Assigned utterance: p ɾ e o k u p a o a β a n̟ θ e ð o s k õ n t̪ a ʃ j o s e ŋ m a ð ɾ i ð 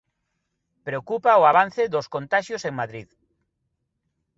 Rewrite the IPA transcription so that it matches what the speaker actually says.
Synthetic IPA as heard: p ɾ e o k u p a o a β a n̟ θ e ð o s k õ n t̪ a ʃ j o s e ŋ m a ð ɾ i ð